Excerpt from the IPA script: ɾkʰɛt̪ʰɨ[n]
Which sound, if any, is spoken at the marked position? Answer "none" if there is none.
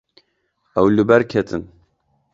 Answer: n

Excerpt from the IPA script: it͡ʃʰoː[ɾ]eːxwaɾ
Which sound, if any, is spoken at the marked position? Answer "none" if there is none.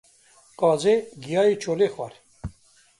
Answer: l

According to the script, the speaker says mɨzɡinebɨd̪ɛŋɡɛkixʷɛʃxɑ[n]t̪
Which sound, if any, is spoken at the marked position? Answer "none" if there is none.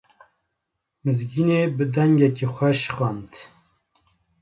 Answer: n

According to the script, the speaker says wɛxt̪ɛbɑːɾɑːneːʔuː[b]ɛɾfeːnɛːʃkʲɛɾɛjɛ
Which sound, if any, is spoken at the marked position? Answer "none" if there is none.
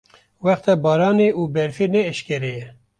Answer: b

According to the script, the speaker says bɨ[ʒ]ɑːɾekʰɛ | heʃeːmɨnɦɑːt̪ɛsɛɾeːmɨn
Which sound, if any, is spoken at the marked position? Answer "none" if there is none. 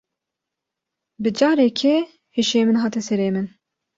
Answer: d͡ʒ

